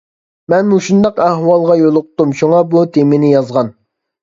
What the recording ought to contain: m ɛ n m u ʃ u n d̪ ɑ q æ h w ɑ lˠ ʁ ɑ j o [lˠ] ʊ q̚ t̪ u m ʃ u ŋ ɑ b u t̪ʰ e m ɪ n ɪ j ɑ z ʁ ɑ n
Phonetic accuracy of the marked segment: correct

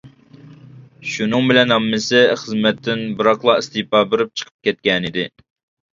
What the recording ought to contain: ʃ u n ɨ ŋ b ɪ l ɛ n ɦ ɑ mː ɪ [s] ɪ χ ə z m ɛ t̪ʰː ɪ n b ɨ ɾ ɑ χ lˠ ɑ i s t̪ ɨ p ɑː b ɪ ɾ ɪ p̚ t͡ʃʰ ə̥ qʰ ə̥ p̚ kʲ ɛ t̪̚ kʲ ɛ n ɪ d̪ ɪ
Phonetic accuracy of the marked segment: correct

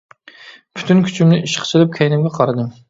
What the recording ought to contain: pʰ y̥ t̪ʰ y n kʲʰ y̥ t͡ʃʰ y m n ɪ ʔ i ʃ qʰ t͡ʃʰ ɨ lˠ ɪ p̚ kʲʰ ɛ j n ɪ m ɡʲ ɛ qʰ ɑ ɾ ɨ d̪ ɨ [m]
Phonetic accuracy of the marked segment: correct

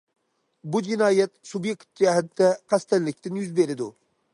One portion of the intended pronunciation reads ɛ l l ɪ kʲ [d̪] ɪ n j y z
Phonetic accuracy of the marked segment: incorrect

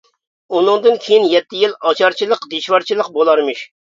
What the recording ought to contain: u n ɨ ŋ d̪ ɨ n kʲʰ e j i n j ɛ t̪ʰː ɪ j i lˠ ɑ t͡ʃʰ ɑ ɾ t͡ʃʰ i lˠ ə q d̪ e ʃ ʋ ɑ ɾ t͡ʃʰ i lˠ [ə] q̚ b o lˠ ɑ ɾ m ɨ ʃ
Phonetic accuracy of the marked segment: correct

